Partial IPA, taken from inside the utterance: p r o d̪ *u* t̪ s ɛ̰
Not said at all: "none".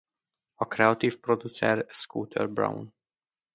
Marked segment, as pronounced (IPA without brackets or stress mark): u